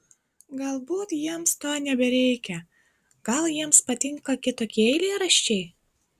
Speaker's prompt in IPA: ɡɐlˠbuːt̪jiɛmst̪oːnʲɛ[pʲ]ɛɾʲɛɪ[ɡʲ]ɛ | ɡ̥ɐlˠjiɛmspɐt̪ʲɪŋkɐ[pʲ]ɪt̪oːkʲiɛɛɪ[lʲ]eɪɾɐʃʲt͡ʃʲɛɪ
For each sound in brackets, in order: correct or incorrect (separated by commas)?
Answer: incorrect, incorrect, incorrect, correct